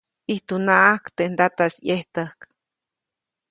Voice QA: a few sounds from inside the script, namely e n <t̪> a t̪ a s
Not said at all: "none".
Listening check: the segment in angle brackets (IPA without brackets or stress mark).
d̪